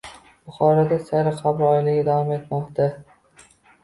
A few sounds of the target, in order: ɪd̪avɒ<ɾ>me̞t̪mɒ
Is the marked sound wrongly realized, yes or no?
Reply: yes